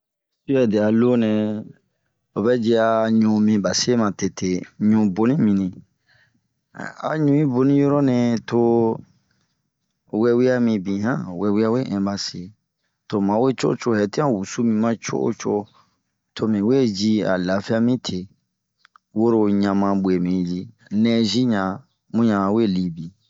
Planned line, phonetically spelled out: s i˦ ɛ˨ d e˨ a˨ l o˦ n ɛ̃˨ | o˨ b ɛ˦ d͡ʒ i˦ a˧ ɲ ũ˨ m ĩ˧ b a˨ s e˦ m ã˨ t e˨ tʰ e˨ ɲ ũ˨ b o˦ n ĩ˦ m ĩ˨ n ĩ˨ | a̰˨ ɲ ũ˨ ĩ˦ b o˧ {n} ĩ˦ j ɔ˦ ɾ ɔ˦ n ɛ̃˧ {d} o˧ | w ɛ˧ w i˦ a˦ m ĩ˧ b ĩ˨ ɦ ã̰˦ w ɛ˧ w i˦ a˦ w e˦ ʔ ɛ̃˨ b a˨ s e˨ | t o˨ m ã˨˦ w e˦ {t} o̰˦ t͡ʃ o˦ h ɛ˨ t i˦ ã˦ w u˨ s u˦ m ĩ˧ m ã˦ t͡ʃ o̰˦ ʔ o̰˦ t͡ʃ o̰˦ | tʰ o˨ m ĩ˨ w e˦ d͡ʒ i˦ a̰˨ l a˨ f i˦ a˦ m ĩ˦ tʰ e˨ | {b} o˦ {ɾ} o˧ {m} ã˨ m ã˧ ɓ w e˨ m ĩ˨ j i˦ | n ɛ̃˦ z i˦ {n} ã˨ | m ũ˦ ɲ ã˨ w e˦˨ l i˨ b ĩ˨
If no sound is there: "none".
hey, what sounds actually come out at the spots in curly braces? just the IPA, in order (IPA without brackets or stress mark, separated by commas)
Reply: n, t, t͡ʃ, w, ɾ, ɲ, ɲ